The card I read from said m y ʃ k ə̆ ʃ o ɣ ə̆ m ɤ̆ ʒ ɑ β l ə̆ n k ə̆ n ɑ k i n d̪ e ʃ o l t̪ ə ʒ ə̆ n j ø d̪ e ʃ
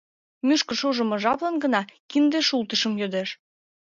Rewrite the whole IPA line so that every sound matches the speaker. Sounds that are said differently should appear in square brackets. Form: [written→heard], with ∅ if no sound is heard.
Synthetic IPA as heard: m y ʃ k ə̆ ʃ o [ɣ→ʒ] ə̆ m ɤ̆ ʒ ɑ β l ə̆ n [k→ɡ] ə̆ n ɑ k i n d̪ e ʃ [o→u] l t̪ ə [ʒ→ʃ] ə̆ [n→m] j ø d̪ e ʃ